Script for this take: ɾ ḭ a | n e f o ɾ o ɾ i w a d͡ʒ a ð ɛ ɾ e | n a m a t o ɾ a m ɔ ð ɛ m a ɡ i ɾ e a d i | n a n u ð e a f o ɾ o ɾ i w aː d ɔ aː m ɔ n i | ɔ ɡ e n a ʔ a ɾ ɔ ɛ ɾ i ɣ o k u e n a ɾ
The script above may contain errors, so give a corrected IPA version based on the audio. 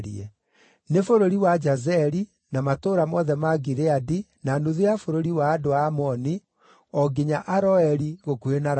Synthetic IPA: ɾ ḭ ɛ | n e f o ɾ o ɾ i w a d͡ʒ a z ɛ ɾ i | n a m a t o ɾ a m ɔ ð ɛ m a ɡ i ɾ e a d i | n a n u ð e a f o ɾ o ɾ i w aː d o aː m ɔ n i | ɔ ɡ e ɲ a ʔ a ɾ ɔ ɛ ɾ i ɣ o k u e n a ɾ

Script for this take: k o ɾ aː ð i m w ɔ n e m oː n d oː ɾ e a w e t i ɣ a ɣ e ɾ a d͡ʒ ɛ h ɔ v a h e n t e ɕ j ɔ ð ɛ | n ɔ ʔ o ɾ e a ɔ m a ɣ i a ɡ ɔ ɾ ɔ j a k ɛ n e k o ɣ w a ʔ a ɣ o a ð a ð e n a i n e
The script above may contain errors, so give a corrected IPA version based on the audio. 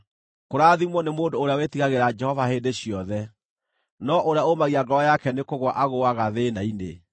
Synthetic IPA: k o ɾ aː ð i m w ɔ n e m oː n d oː ɾ e a w e t i ɣ a ɣ e ɾ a d͡ʒ ɛ h ɔ v a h e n d e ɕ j ɔ ð ɛ | n ɔ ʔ o ɾ e a o m a ɣ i a ɡ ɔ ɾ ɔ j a k ɛ n e k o ɣ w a ʔ a ɣ o a ɣ a ð e n a i n e

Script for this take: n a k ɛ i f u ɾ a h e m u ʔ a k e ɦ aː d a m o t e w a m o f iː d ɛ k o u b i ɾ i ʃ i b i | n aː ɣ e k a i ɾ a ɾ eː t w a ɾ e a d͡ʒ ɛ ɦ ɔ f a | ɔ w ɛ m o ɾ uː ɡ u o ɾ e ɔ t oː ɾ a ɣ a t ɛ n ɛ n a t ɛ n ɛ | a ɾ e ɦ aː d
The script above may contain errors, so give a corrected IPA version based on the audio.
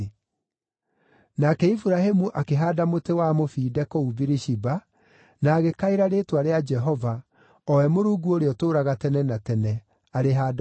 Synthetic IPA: n a k ɛ i f u ɾ a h e m u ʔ a k e ɦ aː d a m o t e w a m o f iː d ɛ k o u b i ɾ i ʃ i b a | n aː ɣ e k a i ɾ a ɾ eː t w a ɾ e a d͡ʒ ɛ ɦ ɔ v a | ɔ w ɛ m o ɾ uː ɡ u o ɾ e ɔ t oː ɾ a ɣ a t ɛ n ɛ n a t ɛ n ɛ | a ɾ e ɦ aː d

